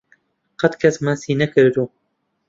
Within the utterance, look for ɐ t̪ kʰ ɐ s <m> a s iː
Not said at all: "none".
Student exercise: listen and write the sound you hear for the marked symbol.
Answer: m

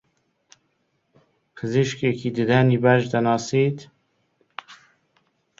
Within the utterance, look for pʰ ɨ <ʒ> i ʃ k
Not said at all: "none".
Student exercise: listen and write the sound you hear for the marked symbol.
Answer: z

